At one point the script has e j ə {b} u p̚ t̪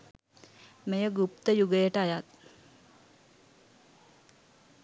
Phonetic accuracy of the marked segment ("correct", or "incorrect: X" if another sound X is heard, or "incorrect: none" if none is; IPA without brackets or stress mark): incorrect: ɡ